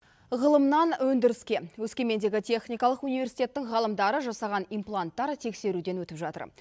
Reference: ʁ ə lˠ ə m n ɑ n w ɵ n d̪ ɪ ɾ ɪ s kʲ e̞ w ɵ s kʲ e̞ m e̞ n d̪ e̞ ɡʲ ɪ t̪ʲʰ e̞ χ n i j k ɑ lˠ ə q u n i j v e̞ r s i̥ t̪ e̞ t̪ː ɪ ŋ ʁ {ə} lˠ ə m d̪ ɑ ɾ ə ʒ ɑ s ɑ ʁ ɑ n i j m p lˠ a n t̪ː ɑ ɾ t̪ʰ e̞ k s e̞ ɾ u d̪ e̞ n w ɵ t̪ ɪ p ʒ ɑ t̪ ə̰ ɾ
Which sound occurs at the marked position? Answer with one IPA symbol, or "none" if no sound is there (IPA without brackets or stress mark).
ɑ